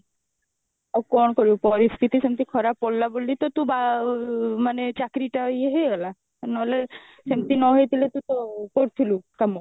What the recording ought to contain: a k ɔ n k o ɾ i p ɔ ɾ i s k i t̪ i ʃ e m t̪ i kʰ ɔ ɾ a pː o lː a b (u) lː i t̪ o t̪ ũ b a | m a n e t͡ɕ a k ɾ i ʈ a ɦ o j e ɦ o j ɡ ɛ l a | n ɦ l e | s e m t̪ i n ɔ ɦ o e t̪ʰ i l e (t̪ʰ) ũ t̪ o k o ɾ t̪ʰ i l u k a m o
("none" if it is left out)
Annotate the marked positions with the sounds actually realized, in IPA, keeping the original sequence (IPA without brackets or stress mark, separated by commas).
o, t̪